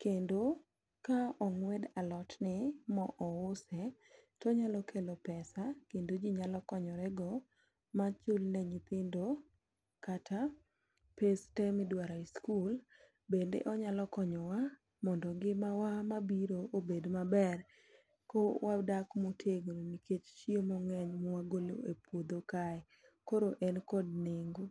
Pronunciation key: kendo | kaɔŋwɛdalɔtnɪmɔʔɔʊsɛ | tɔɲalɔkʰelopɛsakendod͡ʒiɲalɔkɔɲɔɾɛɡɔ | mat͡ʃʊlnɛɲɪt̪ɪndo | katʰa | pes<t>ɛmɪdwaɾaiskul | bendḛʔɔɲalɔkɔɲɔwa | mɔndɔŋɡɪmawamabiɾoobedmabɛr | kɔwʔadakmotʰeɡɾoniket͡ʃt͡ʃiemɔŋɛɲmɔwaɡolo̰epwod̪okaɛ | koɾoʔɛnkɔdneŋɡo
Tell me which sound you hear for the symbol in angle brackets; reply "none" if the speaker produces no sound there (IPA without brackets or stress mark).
t